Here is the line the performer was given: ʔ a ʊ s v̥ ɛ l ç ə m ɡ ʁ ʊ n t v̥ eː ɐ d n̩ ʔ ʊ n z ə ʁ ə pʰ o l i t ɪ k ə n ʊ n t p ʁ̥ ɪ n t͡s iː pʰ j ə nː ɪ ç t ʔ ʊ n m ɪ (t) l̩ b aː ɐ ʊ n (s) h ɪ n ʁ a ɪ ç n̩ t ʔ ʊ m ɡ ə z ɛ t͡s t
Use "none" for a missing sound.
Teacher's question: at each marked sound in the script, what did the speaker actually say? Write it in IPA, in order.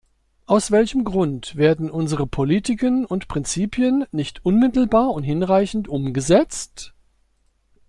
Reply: t, t

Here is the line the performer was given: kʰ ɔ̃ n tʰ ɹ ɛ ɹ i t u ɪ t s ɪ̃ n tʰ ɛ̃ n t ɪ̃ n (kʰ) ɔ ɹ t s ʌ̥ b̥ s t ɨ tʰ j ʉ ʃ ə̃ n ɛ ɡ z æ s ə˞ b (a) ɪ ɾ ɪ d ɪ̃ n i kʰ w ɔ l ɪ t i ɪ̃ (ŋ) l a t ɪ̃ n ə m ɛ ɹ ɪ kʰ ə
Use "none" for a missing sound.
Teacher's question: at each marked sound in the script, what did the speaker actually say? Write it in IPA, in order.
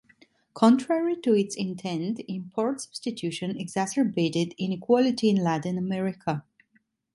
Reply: pʰ, e, n

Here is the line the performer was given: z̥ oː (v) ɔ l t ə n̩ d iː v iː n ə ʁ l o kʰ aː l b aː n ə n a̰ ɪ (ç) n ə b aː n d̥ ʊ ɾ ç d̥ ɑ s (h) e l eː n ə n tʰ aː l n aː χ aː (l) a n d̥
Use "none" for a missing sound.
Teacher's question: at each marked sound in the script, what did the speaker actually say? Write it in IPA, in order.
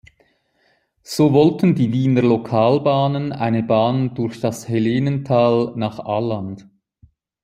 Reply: v, none, h, l

